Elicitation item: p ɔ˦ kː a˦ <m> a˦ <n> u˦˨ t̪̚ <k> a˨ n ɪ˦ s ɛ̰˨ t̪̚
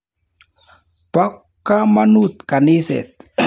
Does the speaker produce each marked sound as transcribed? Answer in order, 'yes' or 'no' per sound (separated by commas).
yes, yes, yes